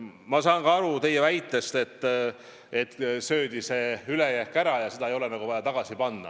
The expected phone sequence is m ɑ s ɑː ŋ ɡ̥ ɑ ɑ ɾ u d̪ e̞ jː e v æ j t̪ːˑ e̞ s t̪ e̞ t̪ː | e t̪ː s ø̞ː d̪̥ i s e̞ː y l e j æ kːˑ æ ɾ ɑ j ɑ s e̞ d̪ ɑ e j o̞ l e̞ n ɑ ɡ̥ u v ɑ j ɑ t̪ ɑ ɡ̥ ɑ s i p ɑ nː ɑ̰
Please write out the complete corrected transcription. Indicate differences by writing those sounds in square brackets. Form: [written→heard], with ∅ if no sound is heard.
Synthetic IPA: m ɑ s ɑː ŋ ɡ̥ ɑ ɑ ɾ u [d̪→t̪] e̞ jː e v æ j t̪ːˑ e̞ s t̪ e̞ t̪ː | e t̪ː s ø̞ː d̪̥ i s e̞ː y l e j æ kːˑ æ ɾ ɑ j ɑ s e̞ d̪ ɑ e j o̞ l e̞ n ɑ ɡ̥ u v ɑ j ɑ t̪ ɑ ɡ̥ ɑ s i p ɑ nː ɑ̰